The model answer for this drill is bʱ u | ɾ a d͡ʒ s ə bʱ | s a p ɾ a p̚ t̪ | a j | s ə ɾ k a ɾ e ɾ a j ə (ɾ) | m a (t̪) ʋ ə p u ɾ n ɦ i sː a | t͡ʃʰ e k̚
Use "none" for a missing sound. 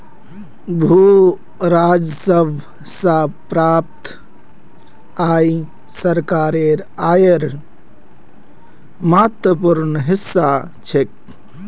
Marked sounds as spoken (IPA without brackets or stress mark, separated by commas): ɾ, t̪